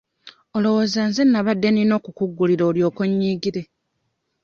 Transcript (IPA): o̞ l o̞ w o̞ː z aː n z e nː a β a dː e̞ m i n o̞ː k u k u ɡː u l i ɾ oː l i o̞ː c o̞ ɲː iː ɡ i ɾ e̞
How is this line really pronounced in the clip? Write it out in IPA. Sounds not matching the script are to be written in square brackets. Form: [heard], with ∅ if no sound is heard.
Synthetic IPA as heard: o̞ l o̞ w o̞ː z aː n z e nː a β a dː e̞ [n] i n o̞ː k u k u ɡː u l i ɾ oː l [j] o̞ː [k] o̞ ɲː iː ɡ i ɾ e̞